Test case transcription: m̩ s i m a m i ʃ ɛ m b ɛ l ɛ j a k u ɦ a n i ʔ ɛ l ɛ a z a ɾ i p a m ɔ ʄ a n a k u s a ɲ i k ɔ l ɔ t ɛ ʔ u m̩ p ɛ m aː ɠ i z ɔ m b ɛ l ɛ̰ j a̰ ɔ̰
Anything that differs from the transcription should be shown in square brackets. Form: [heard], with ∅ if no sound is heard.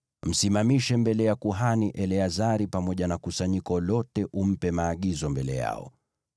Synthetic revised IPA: m̩ s i m a m i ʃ ɛ m b ɛ l ɛ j a k u ɦ a n i ʔ ɛ l ɛ a z a ɾ i p a m ɔ ʄ a n a k u s a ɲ i k ɔ l ɔ t ɛ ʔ u m̩ p ɛ m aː ɠ i z ɔ m b ɛ l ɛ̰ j a̰ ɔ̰